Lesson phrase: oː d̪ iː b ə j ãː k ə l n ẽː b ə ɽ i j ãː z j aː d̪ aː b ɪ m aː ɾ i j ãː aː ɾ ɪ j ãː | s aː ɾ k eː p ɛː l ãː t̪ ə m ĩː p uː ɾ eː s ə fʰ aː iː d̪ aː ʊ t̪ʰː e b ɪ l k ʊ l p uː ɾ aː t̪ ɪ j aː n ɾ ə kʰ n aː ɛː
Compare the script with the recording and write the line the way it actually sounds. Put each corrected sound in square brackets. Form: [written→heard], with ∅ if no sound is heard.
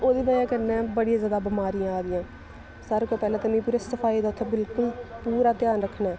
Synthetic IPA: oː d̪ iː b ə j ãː k ə [l→ɾ] n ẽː b ə ɽ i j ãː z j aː d̪ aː b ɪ m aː ɾ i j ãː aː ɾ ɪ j ãː | s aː ɾ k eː p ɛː l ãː t̪ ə m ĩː p uː ɾ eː s ə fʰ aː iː d̪ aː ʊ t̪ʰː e b ɪ l k ʊ l p uː ɾ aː t̪ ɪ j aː n ɾ ə kʰ n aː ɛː